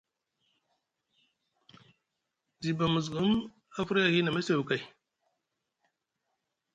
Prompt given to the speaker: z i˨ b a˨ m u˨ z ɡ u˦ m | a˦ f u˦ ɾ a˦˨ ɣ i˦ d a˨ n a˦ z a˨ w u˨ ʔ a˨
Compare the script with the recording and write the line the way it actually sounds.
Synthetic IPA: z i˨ b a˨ m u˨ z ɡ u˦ m | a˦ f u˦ ɾ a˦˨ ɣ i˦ n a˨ m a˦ s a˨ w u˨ k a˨

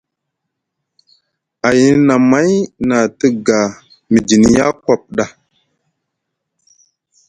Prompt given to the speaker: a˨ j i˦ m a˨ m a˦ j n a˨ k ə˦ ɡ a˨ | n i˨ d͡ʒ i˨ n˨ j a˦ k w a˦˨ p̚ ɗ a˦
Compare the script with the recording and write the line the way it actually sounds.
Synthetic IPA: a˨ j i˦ n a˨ m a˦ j n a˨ t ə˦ ɡ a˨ | m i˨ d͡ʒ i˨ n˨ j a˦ k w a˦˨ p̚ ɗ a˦

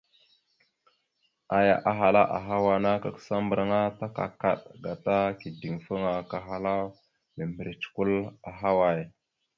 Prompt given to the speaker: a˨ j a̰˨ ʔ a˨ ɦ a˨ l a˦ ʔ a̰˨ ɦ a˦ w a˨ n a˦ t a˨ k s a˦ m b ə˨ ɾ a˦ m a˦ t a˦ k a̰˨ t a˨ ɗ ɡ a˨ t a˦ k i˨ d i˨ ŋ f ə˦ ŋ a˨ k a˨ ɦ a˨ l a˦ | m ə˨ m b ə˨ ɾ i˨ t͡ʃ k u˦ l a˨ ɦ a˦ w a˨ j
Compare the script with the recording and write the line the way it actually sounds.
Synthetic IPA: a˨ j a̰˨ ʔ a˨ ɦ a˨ l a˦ ʔ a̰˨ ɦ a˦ w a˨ n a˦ k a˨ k s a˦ m b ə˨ ɾ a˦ ŋ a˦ t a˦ k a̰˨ k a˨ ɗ ɡ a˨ t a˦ k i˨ d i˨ ŋ f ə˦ ŋ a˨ k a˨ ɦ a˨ l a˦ | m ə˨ m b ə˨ ɾ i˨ t͡ʃ k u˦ l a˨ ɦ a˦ w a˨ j

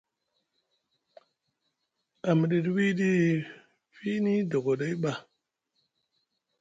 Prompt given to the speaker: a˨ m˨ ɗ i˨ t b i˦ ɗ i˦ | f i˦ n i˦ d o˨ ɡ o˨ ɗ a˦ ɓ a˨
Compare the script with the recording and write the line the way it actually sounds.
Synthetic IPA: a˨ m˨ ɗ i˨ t w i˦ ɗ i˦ | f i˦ n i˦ d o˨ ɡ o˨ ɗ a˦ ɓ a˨

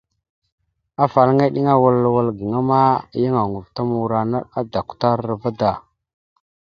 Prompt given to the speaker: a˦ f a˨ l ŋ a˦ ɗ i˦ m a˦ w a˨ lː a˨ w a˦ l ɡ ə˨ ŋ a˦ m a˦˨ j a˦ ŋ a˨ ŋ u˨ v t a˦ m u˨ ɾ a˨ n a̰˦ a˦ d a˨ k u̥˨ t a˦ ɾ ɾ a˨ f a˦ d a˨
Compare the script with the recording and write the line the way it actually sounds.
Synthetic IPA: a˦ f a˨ l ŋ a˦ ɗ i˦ ŋ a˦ w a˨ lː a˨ w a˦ l ɡ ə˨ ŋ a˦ m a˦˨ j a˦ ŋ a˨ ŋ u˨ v t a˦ m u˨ ɾ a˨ n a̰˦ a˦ d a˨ k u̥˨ t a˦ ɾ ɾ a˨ v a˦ d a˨

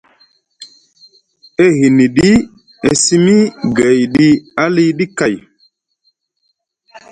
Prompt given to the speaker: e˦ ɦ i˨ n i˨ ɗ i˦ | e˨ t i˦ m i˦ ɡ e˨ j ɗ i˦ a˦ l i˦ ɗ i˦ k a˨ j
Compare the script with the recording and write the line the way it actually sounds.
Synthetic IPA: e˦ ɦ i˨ n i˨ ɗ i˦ | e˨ s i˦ m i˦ ɡ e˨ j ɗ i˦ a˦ l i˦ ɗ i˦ k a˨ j

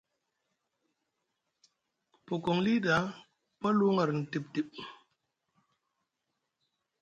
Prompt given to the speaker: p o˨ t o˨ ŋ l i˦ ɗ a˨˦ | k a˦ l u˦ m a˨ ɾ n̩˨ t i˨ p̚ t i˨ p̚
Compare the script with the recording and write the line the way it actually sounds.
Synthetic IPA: p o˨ k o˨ ŋ l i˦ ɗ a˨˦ | p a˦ l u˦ ŋ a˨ ɾ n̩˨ t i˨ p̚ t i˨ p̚

